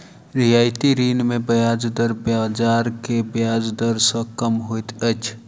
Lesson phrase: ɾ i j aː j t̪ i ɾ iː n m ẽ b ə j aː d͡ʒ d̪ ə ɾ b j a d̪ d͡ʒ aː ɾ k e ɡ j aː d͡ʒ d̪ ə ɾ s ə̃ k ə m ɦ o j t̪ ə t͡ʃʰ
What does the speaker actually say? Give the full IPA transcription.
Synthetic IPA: ɾ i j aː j t̪ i ɾ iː n m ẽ b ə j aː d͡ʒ d̪ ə ɾ b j a d͡ʒ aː ɾ k e b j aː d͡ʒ d̪ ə ɾ s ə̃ k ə m ɦ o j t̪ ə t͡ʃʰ